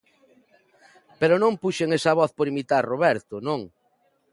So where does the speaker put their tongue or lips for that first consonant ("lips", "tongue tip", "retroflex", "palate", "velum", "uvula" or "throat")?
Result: lips